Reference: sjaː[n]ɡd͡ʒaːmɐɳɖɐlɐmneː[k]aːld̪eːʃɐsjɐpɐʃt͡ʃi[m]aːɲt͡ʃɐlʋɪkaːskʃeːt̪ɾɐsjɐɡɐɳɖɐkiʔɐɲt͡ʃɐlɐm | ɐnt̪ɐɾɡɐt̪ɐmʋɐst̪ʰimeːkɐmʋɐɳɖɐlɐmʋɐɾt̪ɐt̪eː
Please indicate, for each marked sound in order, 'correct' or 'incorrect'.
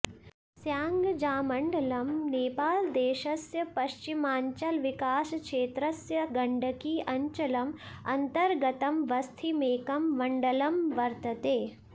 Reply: incorrect, incorrect, correct

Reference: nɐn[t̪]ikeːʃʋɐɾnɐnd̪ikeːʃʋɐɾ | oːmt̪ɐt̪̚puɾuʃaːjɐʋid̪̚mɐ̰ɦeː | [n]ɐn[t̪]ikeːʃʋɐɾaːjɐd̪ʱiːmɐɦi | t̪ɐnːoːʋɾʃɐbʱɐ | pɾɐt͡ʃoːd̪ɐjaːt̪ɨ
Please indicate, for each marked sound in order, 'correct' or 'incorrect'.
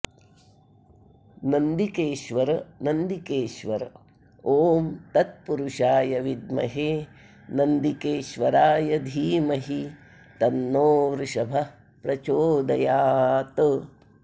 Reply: incorrect, correct, incorrect

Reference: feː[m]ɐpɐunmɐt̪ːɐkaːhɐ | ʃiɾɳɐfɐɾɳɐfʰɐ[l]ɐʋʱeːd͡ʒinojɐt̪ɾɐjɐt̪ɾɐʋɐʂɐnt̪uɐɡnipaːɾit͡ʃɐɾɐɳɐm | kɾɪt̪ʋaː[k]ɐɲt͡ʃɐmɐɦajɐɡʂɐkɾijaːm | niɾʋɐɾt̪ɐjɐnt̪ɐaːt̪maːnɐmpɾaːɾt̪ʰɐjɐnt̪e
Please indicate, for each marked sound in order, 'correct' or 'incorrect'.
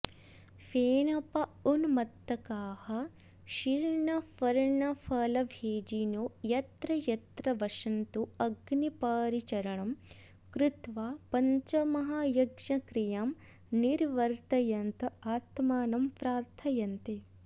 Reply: incorrect, correct, incorrect

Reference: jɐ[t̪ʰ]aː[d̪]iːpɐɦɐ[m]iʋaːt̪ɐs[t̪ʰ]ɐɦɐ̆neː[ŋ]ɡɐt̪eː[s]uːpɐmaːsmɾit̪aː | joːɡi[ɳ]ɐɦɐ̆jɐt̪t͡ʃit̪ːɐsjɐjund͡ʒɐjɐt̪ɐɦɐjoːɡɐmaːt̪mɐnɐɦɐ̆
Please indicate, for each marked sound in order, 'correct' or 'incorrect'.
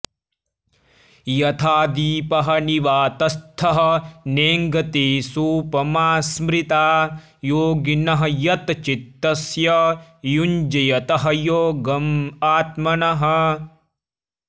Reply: correct, correct, incorrect, correct, correct, correct, incorrect

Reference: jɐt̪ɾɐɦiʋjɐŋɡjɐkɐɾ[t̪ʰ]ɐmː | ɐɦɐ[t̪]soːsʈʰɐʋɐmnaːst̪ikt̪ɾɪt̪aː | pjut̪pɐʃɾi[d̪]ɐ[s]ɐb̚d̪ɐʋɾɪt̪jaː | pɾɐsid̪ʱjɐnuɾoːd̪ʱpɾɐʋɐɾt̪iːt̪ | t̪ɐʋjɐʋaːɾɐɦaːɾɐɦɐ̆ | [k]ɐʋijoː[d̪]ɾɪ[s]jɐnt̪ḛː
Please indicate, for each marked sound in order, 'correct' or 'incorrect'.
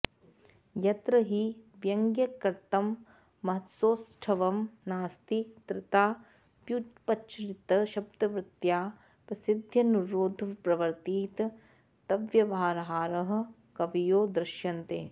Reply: incorrect, correct, incorrect, incorrect, correct, correct, incorrect

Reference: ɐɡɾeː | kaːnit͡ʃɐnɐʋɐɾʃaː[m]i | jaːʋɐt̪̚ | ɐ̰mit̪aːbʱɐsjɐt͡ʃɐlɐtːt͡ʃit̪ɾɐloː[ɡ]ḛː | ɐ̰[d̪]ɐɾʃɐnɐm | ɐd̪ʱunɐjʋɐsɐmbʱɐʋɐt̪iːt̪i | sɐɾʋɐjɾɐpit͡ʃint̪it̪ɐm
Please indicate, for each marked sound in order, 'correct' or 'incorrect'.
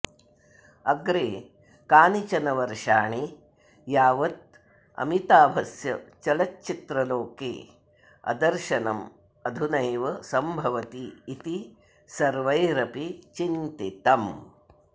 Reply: incorrect, incorrect, correct

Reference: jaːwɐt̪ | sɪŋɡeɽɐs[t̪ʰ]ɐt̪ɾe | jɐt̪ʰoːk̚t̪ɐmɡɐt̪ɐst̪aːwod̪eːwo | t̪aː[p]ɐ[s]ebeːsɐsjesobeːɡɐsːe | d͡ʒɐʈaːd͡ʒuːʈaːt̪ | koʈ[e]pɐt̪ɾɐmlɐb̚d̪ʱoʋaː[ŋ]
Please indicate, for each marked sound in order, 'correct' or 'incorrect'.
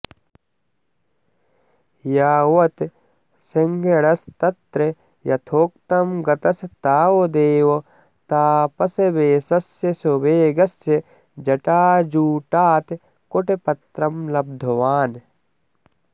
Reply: incorrect, correct, correct, correct, incorrect

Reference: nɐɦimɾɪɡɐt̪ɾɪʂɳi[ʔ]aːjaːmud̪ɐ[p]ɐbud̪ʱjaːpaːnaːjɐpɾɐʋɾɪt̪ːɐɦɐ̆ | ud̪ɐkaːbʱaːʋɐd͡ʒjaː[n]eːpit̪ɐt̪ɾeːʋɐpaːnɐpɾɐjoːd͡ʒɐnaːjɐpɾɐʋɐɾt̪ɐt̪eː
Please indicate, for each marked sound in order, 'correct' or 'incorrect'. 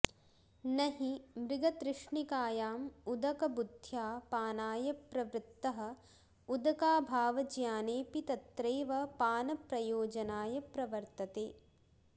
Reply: incorrect, incorrect, correct

